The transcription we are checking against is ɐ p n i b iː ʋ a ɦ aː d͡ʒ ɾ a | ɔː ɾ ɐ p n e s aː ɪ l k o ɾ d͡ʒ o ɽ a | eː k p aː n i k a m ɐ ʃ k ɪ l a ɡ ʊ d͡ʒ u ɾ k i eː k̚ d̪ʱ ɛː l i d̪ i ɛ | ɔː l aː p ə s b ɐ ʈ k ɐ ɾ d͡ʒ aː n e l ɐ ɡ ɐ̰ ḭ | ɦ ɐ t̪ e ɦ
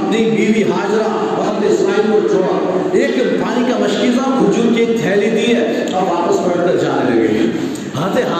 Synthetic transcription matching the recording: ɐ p n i b iː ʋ i ɦ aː d͡ʒ ɾ a | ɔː ɾ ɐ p n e s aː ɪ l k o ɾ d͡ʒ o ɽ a | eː k p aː n i k a m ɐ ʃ k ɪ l a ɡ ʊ d͡ʒ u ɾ k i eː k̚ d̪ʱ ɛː l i d̪ i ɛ | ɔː ɾ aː p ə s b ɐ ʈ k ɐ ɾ d͡ʒ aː n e l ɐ ɡ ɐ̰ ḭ | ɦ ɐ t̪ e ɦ